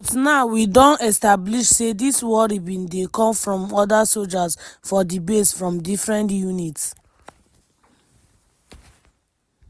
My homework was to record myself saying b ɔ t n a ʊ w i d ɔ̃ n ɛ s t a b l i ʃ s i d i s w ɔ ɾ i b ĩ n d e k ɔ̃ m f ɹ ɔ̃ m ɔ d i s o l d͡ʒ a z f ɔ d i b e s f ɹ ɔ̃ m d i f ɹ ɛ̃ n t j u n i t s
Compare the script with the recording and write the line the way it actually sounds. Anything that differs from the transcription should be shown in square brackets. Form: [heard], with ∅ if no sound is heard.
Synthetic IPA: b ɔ t n a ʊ w i d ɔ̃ n ɛ s t a b l i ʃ s [e] d i s w ɔ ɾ i b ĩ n d e k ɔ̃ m f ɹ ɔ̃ m ɔ d [a] s o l d͡ʒ a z f ɔ d i b e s f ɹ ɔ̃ m d i f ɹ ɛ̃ n t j u n i t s